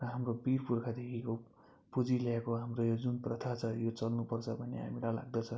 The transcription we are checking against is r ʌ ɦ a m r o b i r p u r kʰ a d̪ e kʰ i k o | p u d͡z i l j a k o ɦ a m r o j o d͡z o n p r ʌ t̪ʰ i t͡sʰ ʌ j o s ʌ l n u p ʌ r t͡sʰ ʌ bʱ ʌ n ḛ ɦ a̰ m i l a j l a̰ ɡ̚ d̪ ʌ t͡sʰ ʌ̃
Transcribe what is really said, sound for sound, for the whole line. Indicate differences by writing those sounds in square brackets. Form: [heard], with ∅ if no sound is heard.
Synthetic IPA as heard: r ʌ ɦ a m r o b i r p u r kʰ a d̪ e kʰ i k o | p u d͡z i l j a k o ɦ a m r o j o d͡z [u] n p r ʌ t̪ʰ [a] t͡sʰ ʌ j o [t͡s] ʌ l n u p ʌ r t͡sʰ ʌ bʱ ʌ n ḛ ɦ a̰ m i l a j l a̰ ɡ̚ d̪ ʌ t͡sʰ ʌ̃

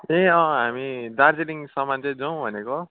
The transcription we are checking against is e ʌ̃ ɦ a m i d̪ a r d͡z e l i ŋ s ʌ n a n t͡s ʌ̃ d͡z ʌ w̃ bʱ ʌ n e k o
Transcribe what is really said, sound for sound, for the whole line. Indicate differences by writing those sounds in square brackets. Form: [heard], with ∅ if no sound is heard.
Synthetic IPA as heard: e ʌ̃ ɦ a m i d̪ a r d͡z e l i ŋ s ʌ [m] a n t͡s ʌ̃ d͡z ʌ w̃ bʱ ʌ n e k o

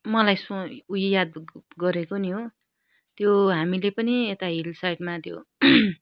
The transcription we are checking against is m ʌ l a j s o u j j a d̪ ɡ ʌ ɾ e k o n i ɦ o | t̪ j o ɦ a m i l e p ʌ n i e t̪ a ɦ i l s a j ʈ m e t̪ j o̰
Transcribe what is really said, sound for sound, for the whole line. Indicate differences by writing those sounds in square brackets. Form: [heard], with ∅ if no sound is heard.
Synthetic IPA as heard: m ʌ l a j s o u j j a d̪ ɡ ʌ ɾ e k o n i ɦ o | t̪ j o ɦ a m i l e p ʌ n i e t̪ a ɦ i l s a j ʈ m [a] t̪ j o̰

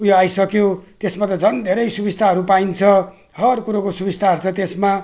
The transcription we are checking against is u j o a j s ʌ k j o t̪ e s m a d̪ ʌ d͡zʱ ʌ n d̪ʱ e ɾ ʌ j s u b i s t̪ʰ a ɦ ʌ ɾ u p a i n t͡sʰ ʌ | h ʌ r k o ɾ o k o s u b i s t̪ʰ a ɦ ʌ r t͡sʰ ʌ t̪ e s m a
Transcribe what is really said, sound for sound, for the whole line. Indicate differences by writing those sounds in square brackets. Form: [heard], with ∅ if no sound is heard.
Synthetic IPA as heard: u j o a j s ʌ k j o t̪ e s m a [t̪] ʌ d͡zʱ ʌ n d̪ʱ e ɾ ʌ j s u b i s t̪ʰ a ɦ ʌ ɾ u p a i n t͡sʰ ʌ | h ʌ r k [u] ɾ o k o s u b i s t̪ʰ a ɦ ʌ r t͡sʰ ʌ t̪ e s m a

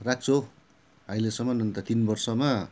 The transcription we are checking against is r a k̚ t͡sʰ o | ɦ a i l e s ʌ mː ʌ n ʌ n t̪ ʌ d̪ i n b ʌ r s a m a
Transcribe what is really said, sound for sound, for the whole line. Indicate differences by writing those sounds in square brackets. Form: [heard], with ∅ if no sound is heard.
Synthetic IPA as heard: r a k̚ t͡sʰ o | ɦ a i l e s ʌ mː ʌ n ʌ n t̪ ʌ [t̪] i n b ʌ r s [ʌ] m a

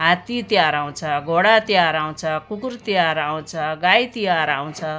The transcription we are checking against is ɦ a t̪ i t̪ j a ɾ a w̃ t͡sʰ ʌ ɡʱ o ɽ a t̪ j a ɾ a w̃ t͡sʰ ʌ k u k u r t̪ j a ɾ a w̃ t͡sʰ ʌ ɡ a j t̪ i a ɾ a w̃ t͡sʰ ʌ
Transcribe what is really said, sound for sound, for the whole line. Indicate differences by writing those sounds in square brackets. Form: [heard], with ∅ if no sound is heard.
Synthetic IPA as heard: ɦ a t̪ i t̪ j a ɾ a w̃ t͡sʰ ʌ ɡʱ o ɽ a t̪ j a ɾ a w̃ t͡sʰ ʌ k u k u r t̪ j a ɾ a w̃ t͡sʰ ʌ ɡ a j t̪ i a ɾ a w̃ t͡sʰ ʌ

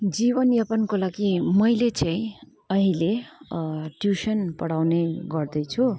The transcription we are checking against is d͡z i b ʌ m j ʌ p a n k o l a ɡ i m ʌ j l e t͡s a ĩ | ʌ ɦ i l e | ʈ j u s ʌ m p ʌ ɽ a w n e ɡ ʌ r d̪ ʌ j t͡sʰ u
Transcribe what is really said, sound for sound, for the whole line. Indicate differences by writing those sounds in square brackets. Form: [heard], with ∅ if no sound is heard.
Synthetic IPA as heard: d͡z i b ʌ [n] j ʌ p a n k o l a ɡ i m ʌ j l e t͡s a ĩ | ʌ ɦ i l e | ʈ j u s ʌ [n] p ʌ ɽ a w n e ɡ ʌ r d̪ ʌ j t͡sʰ u

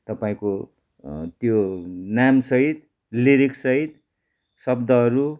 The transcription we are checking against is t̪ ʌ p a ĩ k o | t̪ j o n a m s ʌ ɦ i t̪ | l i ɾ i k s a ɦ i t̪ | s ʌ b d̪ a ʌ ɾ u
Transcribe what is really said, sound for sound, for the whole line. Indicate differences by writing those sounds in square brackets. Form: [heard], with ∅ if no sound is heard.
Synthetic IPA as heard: t̪ ʌ p a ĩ k o | t̪ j o n a m s ʌ ɦ i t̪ | l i ɾ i k s [ʌ] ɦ i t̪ | s ʌ b d̪ [ʌ] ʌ ɾ u

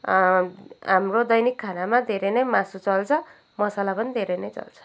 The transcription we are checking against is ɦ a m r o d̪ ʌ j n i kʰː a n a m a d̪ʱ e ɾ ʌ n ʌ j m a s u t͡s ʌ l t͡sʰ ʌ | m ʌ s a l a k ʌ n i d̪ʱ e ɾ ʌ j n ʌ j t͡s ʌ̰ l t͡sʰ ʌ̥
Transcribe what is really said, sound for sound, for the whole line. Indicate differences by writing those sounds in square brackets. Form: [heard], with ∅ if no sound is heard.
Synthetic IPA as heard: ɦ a m r o d̪ ʌ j n i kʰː a n a m a d̪ʱ e ɾ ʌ n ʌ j m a s u t͡s ʌ l t͡sʰ ʌ | m ʌ s a l a [p] ʌ n i d̪ʱ e ɾ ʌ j n ʌ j t͡s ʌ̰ l t͡sʰ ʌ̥

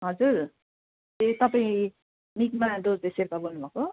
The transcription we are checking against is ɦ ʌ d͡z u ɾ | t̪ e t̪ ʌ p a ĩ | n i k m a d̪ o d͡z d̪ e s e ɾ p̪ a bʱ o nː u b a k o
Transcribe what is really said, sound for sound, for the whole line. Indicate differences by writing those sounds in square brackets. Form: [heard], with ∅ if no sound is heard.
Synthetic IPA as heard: ɦ ʌ d͡z u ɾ | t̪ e t̪ ʌ p a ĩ | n i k m a d̪ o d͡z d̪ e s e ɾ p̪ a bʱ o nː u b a k o

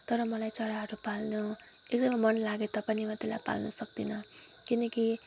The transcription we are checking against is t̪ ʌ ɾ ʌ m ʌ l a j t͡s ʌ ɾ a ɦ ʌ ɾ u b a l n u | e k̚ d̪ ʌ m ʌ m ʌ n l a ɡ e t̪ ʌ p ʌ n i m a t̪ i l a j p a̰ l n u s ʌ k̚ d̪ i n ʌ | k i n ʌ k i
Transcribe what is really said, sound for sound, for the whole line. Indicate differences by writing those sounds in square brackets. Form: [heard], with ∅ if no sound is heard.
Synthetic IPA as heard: t̪ ʌ ɾ ʌ m ʌ l a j t͡s ʌ ɾ a ɦ ʌ ɾ u [p] a l n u | e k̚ d̪ ʌ m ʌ m ʌ n l a ɡ e t̪ ʌ p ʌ n i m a t̪ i l a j p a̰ l n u s ʌ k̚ d̪ i n ʌ | k i n ʌ k i

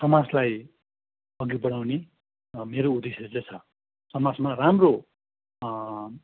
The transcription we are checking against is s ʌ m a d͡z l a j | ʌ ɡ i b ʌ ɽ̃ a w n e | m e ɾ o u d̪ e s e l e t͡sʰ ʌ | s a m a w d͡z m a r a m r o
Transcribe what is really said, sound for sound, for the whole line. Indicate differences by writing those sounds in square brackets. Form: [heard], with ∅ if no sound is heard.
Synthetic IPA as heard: s ʌ m a d͡z l a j | ʌ ɡ i b ʌ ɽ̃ a w n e | m e ɾ o u d̪ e s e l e t͡sʰ ʌ | s [ʌ] m a [∅] d͡z m a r a m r o

